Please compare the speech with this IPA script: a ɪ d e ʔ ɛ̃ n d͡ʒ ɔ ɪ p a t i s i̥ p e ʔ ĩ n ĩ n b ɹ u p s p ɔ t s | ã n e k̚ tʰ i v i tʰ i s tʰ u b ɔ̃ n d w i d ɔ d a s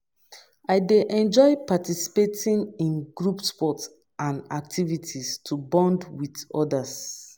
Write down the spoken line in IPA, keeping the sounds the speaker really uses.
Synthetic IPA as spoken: a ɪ d e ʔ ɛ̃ n d͡ʒ ɔ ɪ p a t i s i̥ p e t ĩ n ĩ n ɡ ɹ u p s p ɔ t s | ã n a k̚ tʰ i v i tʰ i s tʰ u b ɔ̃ n d w i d ɔ d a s

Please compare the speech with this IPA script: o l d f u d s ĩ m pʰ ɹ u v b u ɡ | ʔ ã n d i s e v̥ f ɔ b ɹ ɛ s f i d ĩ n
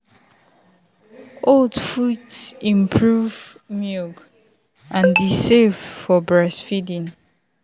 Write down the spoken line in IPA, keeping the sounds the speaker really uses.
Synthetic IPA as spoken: o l d f u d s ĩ m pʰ ɹ u v m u ɡ | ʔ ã n d i s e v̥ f ɔ b ɹ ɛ s f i d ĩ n

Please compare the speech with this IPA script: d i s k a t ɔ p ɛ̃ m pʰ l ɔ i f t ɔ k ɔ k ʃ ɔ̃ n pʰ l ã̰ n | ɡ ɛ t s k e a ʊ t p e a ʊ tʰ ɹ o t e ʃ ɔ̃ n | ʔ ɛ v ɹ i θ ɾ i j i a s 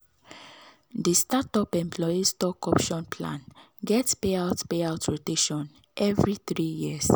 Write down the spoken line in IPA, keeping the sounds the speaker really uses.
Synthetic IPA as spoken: d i s t a t ɔ p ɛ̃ m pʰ l ɔ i s t ɔ k ɔ p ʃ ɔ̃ n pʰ l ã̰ n | ɡ ɛ t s p e a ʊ t p e a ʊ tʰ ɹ o t e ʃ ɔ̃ n | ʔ ɛ v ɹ i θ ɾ i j i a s

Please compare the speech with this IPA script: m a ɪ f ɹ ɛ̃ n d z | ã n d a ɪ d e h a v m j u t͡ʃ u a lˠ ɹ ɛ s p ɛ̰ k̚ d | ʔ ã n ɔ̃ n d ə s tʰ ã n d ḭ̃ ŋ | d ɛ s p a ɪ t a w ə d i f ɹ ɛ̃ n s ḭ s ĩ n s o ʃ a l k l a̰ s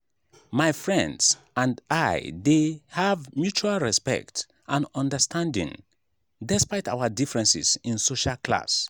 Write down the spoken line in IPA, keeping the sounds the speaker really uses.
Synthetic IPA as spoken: m a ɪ f ɹ ɛ̃ n d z | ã n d a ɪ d e h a v m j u t͡ʃ u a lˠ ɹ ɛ s p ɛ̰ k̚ t | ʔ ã n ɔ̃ n d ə s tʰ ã n d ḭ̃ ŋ | d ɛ s p a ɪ t a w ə d i f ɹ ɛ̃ n s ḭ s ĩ n s o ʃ a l k l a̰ s

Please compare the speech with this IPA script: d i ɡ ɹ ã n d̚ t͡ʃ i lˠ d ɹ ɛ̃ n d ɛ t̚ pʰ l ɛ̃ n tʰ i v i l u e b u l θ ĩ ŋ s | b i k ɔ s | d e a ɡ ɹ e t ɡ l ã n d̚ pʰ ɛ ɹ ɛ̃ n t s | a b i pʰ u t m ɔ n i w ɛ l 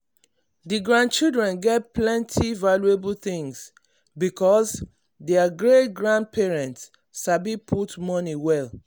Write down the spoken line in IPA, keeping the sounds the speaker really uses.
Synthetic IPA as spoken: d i ɡ ɹ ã n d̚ t͡ʃ i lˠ d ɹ ɛ̃ n ɡ ɛ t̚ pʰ l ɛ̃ n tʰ i v a l u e b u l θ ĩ ŋ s | b i k ɔ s | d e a ɡ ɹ e t ɡ ɹ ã n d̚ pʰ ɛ ɹ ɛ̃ n t s | a b i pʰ u t m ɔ n i w ɛ l

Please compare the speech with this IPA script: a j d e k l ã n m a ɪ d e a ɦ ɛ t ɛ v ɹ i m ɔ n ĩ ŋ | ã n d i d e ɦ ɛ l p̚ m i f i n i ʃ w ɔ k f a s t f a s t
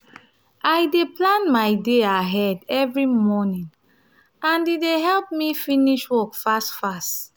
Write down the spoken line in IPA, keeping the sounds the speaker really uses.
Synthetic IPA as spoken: a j d e p l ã n m a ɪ d e a ɦ ɛ d ɛ v ɹ i m ɔ n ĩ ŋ | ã n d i d e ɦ ɛ l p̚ m i f i n i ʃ w ɔ k f a s t f a s t

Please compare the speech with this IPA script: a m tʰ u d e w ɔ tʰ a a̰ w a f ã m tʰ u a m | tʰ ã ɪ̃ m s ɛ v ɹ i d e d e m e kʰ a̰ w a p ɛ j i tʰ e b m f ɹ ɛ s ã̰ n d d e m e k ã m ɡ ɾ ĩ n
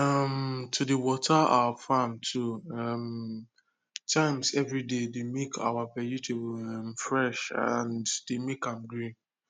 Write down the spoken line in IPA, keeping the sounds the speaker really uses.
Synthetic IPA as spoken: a m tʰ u d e w ɔ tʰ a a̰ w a f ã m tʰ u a m | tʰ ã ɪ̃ m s ɛ v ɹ i d e d e m e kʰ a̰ w a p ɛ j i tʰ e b m f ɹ ɛ ʃ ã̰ n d d e m e k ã m ɡ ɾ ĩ n

